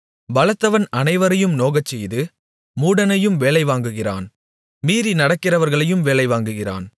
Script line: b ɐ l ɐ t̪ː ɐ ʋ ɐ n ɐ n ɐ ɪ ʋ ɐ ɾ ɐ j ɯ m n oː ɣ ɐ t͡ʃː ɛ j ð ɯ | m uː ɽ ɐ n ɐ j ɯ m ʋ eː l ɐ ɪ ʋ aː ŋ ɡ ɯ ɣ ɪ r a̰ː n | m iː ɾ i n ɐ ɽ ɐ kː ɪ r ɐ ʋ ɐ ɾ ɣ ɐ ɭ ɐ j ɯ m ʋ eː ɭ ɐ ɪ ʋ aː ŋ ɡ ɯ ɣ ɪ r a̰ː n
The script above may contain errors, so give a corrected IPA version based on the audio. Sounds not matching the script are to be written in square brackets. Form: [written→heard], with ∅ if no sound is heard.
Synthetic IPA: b ɐ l ɐ t̪ː ɐ ʋ ɐ n ɐ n ɐ ɪ ʋ ɐ ɾ ɐ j ɯ m n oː ɣ ɐ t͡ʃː ɛ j ð ɯ | m uː ɽ ɐ n ɐ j ɯ m ʋ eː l ɐ ɪ ʋ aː ŋ ɡ ɯ ɣ ɪ r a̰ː n | m iː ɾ i n ɐ ɽ ɐ kː ɪ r ɐ ʋ ɐ ɾ ɣ ɐ ɭ ɐ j ɯ m ʋ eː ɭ ɐ ɪ ʋ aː ŋ ɡ ɯ ɣ ɪ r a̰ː n

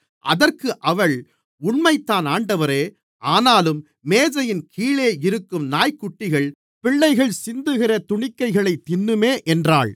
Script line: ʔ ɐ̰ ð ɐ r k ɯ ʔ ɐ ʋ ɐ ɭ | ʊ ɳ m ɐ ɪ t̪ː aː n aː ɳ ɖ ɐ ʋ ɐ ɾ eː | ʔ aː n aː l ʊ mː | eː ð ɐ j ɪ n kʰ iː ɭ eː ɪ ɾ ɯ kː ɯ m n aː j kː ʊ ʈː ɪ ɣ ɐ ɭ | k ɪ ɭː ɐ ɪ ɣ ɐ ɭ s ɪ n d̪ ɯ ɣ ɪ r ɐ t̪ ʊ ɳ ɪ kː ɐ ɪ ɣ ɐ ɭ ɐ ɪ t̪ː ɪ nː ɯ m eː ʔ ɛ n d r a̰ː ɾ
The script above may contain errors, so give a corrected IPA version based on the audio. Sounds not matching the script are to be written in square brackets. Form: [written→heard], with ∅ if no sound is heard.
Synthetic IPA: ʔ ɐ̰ ð ɐ r k ɯ ʔ ɐ ʋ ɐ ɭ | ʊ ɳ m ɐ ɪ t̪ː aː n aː ɳ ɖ ɐ ʋ ɐ ɾ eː | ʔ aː n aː l [ʊ→ɯ] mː | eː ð ɐ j ɪ n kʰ iː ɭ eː ɪ ɾ ɯ kː ɯ m n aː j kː ʊ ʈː ɪ ɣ ɐ ɭ | [k→p] ɪ ɭː ɐ ɪ ɣ ɐ ɭ s ɪ n d̪ ɯ ɣ ɪ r ɐ t̪ ʊ ɳ ɪ kː ɐ ɪ ɣ ɐ ɭ ɐ ɪ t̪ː ɪ nː ɯ m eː ʔ ɛ n d r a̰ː [ɾ→ɭ]

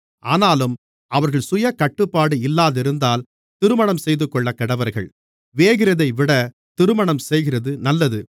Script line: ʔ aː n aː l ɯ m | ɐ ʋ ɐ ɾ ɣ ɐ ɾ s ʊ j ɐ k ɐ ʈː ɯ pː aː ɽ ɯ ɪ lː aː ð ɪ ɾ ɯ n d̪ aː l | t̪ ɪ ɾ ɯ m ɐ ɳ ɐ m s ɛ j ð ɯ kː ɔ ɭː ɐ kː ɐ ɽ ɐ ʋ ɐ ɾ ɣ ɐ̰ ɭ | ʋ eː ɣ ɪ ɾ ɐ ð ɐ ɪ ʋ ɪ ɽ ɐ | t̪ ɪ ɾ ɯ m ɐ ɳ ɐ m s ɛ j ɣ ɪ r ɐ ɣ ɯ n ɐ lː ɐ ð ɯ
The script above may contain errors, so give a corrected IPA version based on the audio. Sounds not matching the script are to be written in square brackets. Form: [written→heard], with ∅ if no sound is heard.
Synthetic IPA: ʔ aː n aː l ɯ m | ɐ ʋ ɐ ɾ ɣ ɐ [ɾ→ɭ] s ʊ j ɐ k ɐ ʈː ɯ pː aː ɽ ɯ ɪ lː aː ð ɪ ɾ ɯ n d̪ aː l | t̪ ɪ ɾ ɯ m ɐ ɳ ɐ m s ɛ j ð ɯ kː ɔ ɭː ɐ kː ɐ ɽ ɐ ʋ ɐ ɾ ɣ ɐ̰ ɭ | ʋ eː ɣ ɪ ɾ ɐ ð ɐ ɪ ʋ ɪ ɽ ɐ | t̪ ɪ ɾ ɯ m ɐ ɳ ɐ m s ɛ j ɣ ɪ r ɐ [ɣ→ð] ɯ n ɐ lː ɐ ð ɯ

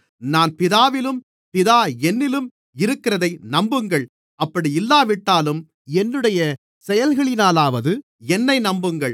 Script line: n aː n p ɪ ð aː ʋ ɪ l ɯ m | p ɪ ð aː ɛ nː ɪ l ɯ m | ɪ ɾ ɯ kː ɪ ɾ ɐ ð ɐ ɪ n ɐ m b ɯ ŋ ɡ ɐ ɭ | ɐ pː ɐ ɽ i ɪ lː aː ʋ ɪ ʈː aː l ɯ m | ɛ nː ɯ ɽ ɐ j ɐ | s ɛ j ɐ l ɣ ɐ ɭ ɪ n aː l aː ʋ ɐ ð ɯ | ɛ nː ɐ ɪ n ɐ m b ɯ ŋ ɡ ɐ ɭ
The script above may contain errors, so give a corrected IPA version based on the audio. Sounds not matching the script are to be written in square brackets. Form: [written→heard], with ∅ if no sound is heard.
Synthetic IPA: n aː n p ɪ ð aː ʋ ɪ l ɯ m | p ɪ ð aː ɛ nː ɪ l ɯ m | ɪ ɾ ɯ kː ɪ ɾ ɐ ð ɐ ɪ n ɐ m b ɯ ŋ ɡ ɐ ɭ | ɐ pː ɐ ɽ i ɪ lː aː ʋ ɪ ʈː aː l ɯ m | ɛ nː ɯ ɽ ɐ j ɐ | s ɛ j ɐ l ɣ ɐ ɭ ɪ n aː l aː ʋ ɐ ð ɯ | ɛ nː ɐ ɪ n ɐ m b ɯ ŋ ɡ ɐ ɭ

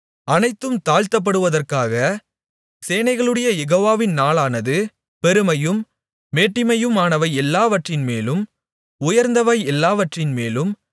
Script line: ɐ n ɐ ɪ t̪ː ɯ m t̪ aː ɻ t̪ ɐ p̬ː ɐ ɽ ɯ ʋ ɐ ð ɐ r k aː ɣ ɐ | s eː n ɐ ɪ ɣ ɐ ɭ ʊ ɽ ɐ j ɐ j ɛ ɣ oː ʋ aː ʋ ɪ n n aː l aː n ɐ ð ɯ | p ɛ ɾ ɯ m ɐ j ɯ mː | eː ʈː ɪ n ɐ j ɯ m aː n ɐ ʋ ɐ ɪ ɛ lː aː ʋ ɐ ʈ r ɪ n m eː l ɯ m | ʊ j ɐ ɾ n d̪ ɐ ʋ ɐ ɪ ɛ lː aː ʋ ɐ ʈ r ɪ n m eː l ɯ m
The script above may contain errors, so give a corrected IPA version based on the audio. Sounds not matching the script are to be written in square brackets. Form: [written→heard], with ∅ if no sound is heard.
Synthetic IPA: ɐ n ɐ ɪ t̪ː ɯ m t̪ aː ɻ t̪ ɐ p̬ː ɐ ɽ ɯ ʋ ɐ ð ɐ r k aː ɣ ɐ | s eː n ɐ ɪ ɣ ɐ ɭ [ʊ→ɯ] ɽ ɐ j ɐ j ɛ ɣ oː ʋ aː ʋ ɪ n n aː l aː n ɐ ð ɯ | p ɛ ɾ ɯ m ɐ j ɯ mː | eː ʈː ɪ [n→m] ɐ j ɯ m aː n ɐ ʋ ɐ ɪ ɛ lː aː ʋ ɐ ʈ r ɪ n m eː l ɯ m | ʊ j ɐ ɾ n d̪ ɐ ʋ ɐ ɪ ɛ lː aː ʋ ɐ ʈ r ɪ n m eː l ɯ m

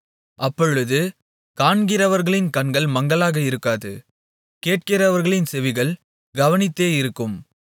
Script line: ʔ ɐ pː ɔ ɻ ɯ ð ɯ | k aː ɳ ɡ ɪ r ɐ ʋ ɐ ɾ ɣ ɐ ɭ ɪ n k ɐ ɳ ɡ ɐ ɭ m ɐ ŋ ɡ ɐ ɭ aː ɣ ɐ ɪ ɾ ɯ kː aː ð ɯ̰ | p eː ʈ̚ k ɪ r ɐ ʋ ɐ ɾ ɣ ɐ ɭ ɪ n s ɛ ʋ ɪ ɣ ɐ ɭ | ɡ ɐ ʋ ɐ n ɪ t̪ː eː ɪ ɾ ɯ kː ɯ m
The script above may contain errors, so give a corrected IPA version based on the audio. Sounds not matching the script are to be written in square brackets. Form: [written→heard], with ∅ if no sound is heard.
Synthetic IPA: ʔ ɐ pː ɔ ɻ ɯ ð ɯ | k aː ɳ ɡ ɪ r ɐ ʋ ɐ ɾ ɣ ɐ ɭ ɪ n k ɐ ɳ ɡ ɐ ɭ m ɐ ŋ ɡ ɐ ɭ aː ɣ ɐ ɪ ɾ ɯ kː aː ð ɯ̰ | [p→k] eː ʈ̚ k ɪ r ɐ ʋ ɐ ɾ ɣ ɐ ɭ ɪ n s ɛ ʋ ɪ ɣ ɐ ɭ | ɡ ɐ ʋ ɐ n ɪ t̪ː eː ɪ ɾ ɯ kː ɯ m

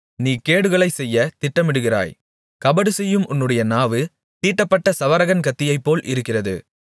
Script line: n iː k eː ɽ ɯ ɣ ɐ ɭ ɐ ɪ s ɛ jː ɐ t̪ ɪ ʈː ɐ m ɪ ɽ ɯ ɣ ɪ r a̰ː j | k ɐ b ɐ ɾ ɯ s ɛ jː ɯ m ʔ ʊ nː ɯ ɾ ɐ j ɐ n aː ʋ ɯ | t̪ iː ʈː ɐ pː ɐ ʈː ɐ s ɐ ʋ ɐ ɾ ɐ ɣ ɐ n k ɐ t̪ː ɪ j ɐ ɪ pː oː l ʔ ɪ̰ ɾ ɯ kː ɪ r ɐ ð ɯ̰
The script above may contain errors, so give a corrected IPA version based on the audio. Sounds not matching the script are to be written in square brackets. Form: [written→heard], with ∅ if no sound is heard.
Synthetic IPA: n iː k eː ɽ ɯ ɣ ɐ ɭ ɐ ɪ s ɛ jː ɐ t̪ ɪ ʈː ɐ m ɪ ɽ ɯ ɣ ɪ r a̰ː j | k ɐ b ɐ [ɾ→ɽ] ɯ s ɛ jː ɯ m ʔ ʊ nː ɯ [ɾ→ɽ] ɐ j ɐ n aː ʋ ɯ | t̪ iː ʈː ɐ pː ɐ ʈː ɐ s ɐ ʋ ɐ ɾ ɐ ɣ ɐ n k ɐ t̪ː ɪ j ɐ ɪ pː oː l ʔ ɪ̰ ɾ ɯ kː ɪ r ɐ ð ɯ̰

